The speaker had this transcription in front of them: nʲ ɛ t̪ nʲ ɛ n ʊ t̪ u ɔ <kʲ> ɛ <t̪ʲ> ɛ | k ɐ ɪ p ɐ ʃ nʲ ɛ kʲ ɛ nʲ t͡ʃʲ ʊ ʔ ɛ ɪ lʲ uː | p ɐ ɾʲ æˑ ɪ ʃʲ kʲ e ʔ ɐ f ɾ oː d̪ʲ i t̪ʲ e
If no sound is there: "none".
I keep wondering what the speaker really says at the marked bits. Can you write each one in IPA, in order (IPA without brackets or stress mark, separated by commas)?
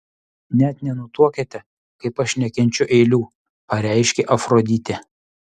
kʲ, t̪ʲ